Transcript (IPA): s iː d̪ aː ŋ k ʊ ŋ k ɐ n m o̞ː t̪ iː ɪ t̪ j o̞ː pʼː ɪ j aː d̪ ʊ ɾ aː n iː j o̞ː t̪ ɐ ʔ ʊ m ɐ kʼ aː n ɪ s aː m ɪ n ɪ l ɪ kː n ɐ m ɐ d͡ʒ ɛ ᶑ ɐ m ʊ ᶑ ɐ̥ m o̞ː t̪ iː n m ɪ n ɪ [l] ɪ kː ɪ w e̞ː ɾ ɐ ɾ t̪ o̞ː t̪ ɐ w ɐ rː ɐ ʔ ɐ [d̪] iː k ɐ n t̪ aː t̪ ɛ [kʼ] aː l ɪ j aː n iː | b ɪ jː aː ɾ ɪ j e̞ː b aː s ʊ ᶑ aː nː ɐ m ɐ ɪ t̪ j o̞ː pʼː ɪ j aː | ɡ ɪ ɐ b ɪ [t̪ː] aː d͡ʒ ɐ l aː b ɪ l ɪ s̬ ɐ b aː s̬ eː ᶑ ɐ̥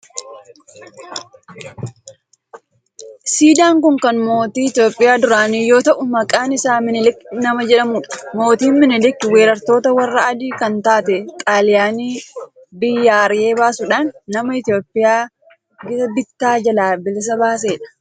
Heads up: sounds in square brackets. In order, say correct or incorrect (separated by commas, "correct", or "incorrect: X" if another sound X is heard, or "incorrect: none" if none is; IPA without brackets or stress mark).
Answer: correct, correct, correct, correct